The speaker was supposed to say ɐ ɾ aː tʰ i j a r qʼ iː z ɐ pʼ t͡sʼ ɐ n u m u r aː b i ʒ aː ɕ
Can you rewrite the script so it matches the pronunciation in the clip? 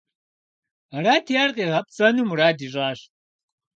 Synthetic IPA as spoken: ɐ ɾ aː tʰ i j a r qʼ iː ʁ ɐ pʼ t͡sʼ ɐ n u m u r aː d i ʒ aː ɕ